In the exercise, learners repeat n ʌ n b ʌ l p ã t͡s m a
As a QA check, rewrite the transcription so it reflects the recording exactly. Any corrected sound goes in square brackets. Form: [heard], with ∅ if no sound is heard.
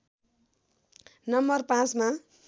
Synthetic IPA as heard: n ʌ [m] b ʌ [r] p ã t͡s m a